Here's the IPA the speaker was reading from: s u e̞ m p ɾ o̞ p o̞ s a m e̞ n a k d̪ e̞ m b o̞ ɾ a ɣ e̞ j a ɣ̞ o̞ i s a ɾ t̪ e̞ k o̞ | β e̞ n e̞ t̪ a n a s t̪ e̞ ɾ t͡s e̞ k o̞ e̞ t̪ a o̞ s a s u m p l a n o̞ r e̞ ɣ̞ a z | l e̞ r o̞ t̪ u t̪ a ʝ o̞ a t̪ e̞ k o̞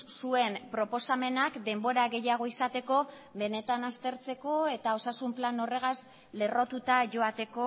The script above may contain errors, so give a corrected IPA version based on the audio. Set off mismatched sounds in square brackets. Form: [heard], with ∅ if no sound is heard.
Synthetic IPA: s u e̞ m p ɾ o̞ p o̞ s a m e̞ n a k d̪ e̞ m b o̞ ɾ a ɣ e̞ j a ɣ̞ o̞ i s a [∅] t̪ e̞ k o̞ | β e̞ n e̞ t̪ a n a s t̪ e̞ ɾ t͡s e̞ k o̞ e̞ t̪ a o̞ s a s u m p l a n o̞ r e̞ ɣ̞ a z | l e̞ r o̞ t̪ u t̪ a ʝ o̞ a t̪ e̞ k o̞